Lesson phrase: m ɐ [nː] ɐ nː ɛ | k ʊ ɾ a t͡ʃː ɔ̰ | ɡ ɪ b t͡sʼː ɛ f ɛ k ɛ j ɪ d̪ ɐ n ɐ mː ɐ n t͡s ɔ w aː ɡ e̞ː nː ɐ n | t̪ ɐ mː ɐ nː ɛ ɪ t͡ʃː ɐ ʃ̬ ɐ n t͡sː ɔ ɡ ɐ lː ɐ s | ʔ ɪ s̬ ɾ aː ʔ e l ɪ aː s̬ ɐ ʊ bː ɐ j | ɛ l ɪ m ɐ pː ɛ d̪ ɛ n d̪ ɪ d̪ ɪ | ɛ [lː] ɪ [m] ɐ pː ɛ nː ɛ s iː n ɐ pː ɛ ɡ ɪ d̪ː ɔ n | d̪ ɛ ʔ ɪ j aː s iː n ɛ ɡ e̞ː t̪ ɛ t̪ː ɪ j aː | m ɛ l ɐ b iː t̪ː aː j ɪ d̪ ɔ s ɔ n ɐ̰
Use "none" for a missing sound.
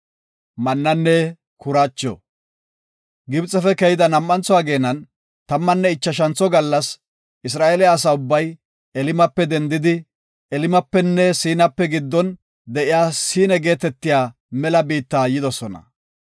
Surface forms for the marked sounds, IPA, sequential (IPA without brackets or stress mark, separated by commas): nː, l, m